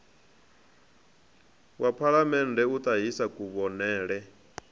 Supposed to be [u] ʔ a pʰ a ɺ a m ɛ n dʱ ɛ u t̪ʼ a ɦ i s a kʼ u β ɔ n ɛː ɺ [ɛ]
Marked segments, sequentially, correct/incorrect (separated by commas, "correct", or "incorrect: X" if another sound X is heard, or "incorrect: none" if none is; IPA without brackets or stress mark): incorrect: w, correct